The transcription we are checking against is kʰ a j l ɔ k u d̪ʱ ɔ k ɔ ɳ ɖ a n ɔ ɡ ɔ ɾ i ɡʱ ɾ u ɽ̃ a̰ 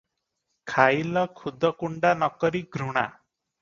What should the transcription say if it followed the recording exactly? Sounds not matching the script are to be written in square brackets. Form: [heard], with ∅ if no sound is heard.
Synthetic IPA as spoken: kʰ a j l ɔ [kʰ] u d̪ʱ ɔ k [u] ɳ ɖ a n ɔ [k] ɔ ɾ i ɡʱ ɾ u ɽ̃ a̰